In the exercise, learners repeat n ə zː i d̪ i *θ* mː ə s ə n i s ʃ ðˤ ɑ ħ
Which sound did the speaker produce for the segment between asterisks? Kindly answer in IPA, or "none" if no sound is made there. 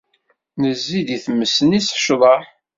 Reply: θ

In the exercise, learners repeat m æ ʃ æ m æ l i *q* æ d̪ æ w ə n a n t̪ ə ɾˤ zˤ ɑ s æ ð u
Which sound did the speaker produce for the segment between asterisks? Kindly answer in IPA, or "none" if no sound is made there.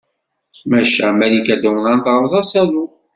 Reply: k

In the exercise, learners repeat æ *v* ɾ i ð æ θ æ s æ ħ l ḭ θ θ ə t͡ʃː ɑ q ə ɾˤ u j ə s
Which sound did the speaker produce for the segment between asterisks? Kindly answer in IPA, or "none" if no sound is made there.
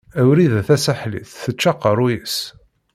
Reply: w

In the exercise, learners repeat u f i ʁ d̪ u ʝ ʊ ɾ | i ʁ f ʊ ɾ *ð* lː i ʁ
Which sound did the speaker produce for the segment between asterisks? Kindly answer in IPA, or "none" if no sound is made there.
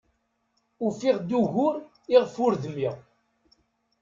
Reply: ð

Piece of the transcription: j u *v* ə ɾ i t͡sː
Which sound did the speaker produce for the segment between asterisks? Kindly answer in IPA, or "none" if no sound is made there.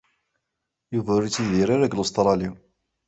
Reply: v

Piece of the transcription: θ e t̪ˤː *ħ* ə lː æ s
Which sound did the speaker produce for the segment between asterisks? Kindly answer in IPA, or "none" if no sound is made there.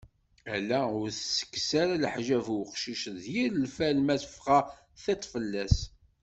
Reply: f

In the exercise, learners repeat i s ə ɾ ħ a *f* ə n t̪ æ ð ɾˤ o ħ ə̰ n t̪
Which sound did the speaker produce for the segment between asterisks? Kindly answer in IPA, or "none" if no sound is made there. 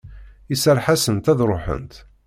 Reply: s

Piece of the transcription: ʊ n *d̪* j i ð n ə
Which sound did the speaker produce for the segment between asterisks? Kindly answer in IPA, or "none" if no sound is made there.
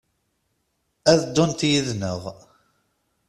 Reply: t̪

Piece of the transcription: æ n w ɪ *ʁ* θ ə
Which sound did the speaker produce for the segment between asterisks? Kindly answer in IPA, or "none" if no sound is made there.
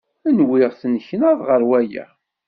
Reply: ʁ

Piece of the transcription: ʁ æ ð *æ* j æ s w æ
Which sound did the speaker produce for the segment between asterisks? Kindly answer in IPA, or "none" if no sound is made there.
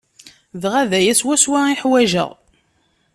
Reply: æ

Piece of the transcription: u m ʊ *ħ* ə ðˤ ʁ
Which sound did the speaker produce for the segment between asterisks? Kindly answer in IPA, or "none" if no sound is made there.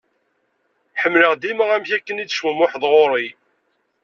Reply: ħ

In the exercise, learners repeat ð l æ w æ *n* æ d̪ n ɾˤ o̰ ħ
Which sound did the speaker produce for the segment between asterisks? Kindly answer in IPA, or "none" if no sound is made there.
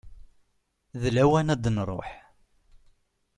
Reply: n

